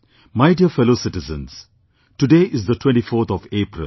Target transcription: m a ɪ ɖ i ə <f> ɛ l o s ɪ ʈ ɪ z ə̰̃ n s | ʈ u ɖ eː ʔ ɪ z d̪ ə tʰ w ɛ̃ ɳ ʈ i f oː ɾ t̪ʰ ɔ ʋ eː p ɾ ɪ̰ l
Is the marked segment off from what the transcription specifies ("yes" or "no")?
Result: no